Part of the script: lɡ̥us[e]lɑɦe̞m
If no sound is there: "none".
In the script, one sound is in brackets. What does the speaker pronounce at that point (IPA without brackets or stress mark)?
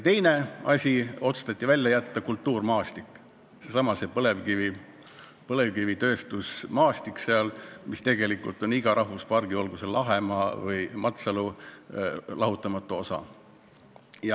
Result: e